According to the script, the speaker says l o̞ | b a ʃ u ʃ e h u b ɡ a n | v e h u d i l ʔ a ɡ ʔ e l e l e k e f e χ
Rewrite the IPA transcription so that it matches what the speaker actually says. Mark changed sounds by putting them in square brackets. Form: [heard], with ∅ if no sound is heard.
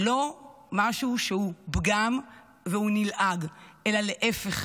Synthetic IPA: l o̞ | [m] a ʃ u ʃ e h u b ɡ a [m] | v e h u [n] i l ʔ a ɡ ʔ e l [a] l e [ʔ] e f e χ